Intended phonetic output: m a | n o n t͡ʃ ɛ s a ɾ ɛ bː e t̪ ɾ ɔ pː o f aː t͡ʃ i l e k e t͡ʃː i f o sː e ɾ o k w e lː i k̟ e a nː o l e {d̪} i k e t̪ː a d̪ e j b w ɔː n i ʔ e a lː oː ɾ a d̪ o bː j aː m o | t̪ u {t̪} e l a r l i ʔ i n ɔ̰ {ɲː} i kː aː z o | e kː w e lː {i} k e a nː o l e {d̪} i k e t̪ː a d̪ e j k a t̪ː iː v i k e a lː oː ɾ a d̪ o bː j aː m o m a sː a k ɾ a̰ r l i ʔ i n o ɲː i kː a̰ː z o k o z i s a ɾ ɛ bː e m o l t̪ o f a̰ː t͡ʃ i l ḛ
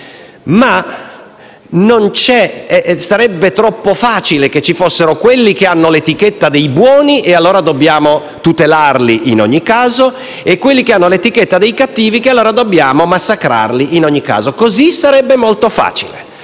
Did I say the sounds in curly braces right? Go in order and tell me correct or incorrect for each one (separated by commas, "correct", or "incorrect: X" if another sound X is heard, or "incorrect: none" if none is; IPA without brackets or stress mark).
incorrect: t̪, correct, correct, correct, incorrect: t̪